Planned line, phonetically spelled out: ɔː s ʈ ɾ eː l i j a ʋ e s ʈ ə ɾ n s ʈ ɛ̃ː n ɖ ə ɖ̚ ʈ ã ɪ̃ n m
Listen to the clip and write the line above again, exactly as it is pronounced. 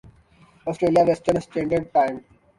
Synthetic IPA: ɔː s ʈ ɾ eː l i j a ʋ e s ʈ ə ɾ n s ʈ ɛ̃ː ɳ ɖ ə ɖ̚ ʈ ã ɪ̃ m

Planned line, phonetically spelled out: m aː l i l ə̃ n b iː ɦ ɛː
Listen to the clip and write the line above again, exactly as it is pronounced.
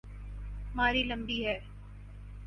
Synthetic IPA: m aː ɾ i l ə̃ m b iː ɦ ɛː

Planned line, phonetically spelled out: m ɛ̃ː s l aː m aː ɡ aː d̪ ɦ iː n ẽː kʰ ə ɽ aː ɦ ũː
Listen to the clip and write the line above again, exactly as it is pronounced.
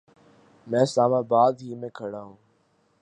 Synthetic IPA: m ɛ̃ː s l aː m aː b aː d̪ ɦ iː m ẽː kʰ ə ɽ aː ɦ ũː

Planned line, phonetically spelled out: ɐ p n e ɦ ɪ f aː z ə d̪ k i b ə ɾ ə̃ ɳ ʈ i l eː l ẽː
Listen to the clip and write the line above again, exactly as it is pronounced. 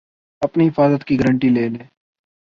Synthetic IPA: ɐ p n i ɦ ɪ f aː z ə t̪ k i ɡ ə ɾ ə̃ ɳ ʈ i l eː l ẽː

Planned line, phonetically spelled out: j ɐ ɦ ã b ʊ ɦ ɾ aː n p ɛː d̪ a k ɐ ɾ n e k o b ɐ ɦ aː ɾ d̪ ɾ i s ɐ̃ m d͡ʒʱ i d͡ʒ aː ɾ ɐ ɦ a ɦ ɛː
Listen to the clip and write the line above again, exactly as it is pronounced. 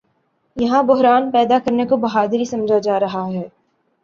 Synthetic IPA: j ɐ ɦ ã b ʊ ɦ ɾ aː n p ɛː d̪ a k ɐ ɾ n e k o b ɐ ɦ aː d̪ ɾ i s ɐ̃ m d͡ʒʱ a d͡ʒ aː ɾ ɐ ɦ a ɦ ɛː

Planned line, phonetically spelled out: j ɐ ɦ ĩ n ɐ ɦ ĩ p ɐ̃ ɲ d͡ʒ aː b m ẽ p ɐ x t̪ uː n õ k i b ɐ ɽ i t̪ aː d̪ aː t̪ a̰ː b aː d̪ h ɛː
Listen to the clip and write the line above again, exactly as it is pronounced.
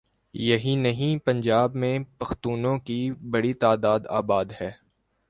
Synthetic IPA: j ɐ ɦ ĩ n ɐ ɦ ĩ p ɐ̃ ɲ d͡ʒ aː b m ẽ p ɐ x t̪ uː n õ k i b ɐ ɽ i t̪ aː d̪ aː d̪ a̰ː b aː d̪ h ɛː

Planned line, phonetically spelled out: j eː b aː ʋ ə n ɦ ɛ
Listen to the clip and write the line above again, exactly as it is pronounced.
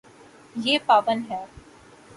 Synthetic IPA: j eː p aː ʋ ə n ɦ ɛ

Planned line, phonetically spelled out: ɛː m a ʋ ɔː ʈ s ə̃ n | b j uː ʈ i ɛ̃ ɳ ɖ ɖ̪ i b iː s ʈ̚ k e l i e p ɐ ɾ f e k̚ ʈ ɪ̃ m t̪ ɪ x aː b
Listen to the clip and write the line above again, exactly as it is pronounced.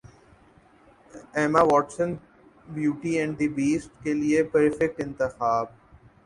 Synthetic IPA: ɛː m a ʋ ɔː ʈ s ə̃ n | b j uː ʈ i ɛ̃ ɳ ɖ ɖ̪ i b iː s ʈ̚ k e l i e p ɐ ɾ f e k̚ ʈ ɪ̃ n t̪ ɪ x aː b

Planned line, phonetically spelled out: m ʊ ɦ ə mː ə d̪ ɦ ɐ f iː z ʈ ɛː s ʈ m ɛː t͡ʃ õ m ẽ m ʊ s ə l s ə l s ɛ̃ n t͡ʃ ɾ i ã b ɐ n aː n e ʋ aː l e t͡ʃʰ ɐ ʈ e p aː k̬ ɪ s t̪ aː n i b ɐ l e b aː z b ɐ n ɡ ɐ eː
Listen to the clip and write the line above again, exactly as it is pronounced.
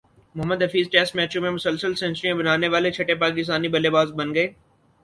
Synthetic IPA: m ʊ ɦ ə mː ə d̪ ɦ ɐ f iː z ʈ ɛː s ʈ m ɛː t͡ʃ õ m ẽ m ʊ s ə l s ə l s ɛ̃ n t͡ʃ ɾ i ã b ɐ n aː n e ʋ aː l e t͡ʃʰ ɐ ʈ e p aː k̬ ɪ s t̪ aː n i b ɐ l e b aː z b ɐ n ɡ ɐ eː

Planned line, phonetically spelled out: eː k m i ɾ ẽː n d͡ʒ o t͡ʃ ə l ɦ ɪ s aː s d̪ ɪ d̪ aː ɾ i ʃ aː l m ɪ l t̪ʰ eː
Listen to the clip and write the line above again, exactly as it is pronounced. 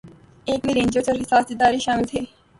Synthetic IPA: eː k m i ɾ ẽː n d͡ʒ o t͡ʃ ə ɾ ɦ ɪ s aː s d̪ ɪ d̪ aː ɾ i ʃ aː m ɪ l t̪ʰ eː

